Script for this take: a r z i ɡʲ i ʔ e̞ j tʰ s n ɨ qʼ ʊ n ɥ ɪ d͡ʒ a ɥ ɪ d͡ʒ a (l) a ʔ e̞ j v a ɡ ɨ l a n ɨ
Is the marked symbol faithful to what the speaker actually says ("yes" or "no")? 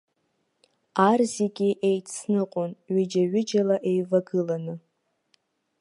yes